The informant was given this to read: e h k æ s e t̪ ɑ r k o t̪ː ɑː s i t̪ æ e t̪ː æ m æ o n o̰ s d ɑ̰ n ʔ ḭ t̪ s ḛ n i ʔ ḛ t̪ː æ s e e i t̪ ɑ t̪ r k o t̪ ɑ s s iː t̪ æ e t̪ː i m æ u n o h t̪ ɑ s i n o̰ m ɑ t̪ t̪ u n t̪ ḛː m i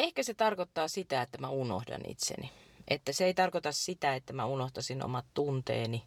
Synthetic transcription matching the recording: e h k æ s e t̪ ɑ r k o t̪ː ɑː s i t̪ æ e t̪ː æ m æ u n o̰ h d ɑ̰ n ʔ ḭ t̪ s ḛ n i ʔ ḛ t̪ː æ s e e i t̪ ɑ r k o t̪ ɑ s s i t̪ æ e t̪ː æ m æ u n o h t̪ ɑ s i n o̰ m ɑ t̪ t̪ u n t̪ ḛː n i